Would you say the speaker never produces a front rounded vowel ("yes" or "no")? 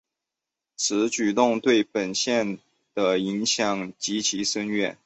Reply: no